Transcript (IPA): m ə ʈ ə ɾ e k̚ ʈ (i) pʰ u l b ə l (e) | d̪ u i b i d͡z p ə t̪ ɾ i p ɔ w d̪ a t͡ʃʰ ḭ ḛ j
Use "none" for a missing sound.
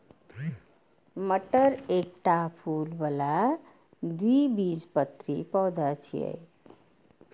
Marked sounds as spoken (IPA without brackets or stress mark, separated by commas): a, a